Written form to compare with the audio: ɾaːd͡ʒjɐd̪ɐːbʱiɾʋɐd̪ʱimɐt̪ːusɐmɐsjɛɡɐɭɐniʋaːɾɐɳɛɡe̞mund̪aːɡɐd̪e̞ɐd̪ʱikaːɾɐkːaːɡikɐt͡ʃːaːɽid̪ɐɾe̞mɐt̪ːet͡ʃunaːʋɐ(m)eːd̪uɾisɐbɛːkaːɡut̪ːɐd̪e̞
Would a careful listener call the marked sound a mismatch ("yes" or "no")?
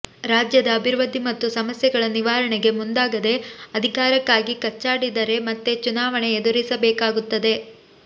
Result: yes